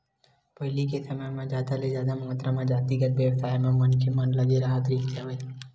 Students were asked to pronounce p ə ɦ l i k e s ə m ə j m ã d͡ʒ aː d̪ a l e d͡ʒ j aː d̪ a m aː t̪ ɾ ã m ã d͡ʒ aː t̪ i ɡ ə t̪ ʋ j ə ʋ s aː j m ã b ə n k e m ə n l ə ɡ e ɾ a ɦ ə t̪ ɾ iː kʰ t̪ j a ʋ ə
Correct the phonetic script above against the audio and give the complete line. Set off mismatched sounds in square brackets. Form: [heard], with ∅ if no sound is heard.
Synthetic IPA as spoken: p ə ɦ l i k e s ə m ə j m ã d͡ʒ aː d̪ a l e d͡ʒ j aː d̪ a m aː t̪ ɾ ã m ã d͡ʒ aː t̪ i ɡ ə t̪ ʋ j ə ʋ s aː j m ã [m] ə n k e m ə n l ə ɡ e ɾ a ɦ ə t̪ ɾ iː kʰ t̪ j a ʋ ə